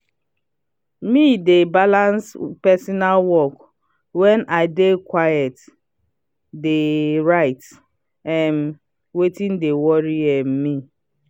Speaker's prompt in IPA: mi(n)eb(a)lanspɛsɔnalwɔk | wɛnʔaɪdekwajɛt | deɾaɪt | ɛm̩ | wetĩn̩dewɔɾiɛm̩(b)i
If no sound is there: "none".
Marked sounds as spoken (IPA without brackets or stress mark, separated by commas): d, a, m